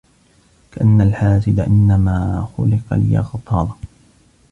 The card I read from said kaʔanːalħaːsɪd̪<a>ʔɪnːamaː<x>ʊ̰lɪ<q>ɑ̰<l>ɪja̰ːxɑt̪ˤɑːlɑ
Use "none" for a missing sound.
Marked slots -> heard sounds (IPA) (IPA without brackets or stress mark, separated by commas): a, x, q, l